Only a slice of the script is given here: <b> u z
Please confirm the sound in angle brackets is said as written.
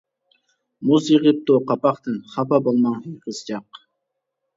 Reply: no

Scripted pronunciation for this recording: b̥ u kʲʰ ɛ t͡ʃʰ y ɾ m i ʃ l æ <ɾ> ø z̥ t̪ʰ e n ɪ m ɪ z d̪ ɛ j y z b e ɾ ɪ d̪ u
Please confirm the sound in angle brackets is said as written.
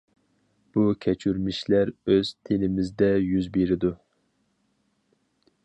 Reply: yes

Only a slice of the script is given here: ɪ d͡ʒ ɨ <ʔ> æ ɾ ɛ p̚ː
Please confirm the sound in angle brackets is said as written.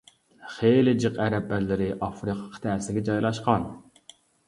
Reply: no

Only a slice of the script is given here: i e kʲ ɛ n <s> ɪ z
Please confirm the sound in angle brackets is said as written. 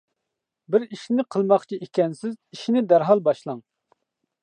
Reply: yes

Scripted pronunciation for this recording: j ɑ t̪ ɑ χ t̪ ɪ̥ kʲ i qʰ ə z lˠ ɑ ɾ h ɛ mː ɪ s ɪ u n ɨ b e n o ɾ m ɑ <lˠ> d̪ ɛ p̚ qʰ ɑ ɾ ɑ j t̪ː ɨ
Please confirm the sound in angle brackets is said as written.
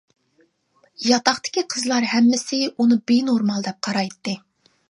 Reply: yes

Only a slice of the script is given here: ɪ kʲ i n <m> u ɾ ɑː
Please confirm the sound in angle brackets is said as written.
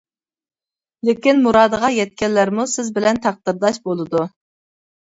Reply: yes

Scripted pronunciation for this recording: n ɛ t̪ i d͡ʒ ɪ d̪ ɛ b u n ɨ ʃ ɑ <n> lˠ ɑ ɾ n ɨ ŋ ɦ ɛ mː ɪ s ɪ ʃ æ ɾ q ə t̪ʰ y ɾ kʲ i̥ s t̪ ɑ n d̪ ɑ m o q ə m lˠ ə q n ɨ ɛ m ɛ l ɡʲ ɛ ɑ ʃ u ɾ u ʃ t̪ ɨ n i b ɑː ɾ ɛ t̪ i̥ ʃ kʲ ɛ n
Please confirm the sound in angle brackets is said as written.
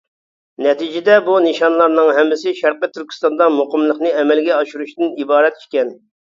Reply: yes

